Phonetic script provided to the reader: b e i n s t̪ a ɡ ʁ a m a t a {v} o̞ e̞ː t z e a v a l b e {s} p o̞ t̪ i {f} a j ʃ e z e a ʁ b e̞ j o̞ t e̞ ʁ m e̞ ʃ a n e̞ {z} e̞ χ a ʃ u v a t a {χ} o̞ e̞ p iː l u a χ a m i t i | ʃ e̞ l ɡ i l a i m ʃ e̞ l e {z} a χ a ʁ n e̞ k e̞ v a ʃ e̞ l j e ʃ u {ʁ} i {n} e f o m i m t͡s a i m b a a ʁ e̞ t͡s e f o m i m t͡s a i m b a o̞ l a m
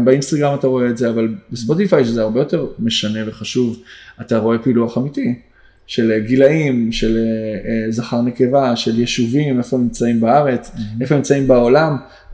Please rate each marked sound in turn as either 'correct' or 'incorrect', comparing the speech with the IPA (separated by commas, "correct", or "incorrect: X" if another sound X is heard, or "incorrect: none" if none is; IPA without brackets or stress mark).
incorrect: ʁ, correct, correct, incorrect: v, incorrect: ʁ, correct, incorrect: v, incorrect: m